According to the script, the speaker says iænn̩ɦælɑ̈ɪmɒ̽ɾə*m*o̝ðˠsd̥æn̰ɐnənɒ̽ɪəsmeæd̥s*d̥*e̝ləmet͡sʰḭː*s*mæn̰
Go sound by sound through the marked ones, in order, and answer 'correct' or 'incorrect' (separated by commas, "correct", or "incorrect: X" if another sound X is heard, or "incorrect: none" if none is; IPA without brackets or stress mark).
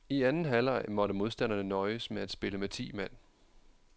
correct, incorrect: b̥, incorrect: none